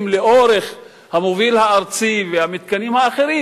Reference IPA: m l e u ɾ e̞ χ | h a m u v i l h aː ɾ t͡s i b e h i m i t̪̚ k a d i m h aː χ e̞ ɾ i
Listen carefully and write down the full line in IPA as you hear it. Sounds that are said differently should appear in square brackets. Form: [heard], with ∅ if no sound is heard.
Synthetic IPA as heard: m l e [o] ɾ e̞ χ | h a m [o] v i l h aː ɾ t͡s i [v] e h [a] m i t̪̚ k a [n] i m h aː χ e̞ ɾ i